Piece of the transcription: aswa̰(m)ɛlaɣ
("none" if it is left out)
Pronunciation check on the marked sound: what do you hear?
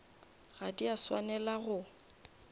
n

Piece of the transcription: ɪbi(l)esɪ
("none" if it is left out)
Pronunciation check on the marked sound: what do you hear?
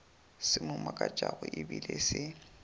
l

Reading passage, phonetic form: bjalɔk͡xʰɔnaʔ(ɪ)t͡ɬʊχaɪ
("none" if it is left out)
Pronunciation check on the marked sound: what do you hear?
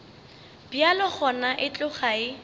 ɪ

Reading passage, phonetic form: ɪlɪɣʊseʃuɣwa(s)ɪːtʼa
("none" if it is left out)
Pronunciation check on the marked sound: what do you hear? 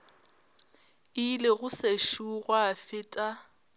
f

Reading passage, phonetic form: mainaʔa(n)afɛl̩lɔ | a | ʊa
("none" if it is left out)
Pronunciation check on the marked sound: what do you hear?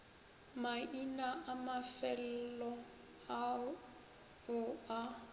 m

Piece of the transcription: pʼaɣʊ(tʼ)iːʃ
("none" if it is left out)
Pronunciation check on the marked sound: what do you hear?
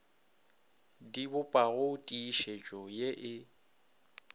tʼ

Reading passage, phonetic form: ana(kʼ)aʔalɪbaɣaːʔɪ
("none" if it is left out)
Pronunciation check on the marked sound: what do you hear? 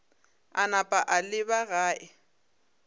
pʼ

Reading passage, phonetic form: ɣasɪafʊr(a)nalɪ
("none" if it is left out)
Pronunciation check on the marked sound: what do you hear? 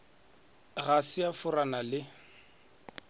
a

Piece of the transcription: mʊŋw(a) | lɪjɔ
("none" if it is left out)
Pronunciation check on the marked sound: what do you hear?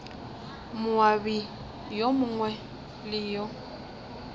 ɛ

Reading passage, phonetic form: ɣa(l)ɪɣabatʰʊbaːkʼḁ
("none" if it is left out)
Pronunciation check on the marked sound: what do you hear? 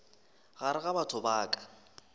ɾ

